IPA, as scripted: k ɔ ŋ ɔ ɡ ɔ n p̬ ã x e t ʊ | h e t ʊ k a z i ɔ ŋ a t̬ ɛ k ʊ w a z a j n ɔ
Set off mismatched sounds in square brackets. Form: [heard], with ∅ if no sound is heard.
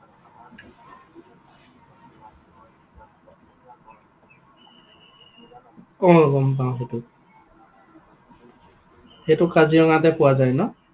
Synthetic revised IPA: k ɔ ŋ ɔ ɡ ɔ [m] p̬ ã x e t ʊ | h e t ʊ k a z i ɔ ŋ a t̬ ɛ [p] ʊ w a z a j n ɔ